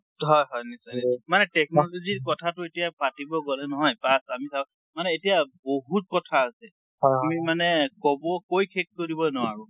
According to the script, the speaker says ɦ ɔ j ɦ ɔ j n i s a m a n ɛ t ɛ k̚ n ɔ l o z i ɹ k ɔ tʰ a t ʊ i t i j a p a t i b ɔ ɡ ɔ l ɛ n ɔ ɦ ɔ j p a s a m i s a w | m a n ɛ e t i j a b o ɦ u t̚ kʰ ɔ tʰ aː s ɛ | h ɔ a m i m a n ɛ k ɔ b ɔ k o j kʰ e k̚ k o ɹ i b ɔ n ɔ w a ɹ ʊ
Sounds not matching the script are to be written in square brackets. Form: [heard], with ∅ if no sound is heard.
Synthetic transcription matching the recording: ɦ ɔ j ɦ ɔ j n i s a m a n ɛ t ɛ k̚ n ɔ l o z i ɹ k ɔ tʰ a t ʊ [e] t i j a p a t i b ɔ ɡ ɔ l ɛ n ɔ ɦ ɔ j p a s a m i s a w | m a n ɛ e t i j a b o ɦ u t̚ [k] ɔ tʰ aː s ɛ | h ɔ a m i m a n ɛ k ɔ b ɔ k o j kʰ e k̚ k o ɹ i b ɔ n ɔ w a ɹ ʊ